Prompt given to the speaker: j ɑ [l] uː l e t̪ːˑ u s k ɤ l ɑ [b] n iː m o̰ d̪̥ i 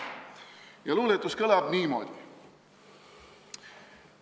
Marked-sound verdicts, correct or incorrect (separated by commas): correct, correct